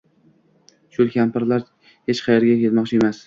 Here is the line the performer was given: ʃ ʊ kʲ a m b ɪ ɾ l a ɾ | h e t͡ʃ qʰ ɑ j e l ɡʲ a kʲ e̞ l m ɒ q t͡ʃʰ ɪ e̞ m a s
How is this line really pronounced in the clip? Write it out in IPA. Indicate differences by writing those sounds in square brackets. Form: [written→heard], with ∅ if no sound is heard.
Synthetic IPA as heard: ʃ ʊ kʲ a m [b→p] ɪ ɾ l a ɾ | h e t͡ʃ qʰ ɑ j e [l→ɾ] ɡʲ a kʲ e̞ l m ɒ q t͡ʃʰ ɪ e̞ m a s